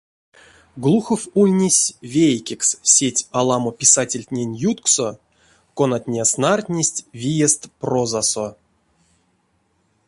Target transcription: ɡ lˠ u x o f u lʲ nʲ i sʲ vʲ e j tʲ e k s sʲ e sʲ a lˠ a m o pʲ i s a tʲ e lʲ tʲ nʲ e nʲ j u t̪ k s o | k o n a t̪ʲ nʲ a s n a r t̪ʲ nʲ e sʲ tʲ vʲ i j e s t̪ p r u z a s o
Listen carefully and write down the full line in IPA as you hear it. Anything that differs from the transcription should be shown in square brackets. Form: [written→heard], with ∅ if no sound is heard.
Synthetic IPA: ɡ lˠ u x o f u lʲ nʲ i sʲ vʲ e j [tʲ→kʲ] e k s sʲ e [sʲ→tʲ] a lˠ a m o pʲ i s a tʲ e lʲ tʲ nʲ e nʲ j u t̪ k s o | k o n a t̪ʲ nʲ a s n a r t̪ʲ nʲ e sʲ tʲ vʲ i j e s t̪ p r [u→o] z a s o